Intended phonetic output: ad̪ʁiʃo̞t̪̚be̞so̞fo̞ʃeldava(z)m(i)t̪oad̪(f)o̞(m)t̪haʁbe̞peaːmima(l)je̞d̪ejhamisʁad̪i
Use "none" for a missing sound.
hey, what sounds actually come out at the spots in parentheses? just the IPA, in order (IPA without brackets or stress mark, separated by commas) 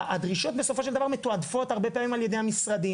ʁ, e, f, none, l